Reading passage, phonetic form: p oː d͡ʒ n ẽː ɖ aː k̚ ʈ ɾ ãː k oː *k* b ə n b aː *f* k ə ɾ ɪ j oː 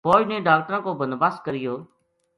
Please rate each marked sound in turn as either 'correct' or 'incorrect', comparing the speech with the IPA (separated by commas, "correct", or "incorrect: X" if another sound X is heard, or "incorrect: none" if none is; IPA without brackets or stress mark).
incorrect: none, incorrect: s